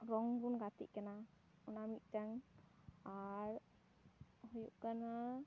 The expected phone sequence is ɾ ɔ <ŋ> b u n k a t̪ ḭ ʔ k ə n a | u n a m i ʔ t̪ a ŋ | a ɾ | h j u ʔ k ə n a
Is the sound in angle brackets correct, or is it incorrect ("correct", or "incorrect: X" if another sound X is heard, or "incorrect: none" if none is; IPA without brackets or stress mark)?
correct